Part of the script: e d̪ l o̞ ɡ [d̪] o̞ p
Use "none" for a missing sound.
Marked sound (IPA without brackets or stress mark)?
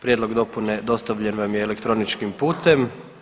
d̪